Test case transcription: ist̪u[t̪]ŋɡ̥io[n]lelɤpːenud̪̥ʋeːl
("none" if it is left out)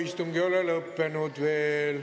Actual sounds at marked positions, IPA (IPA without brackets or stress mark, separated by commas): none, none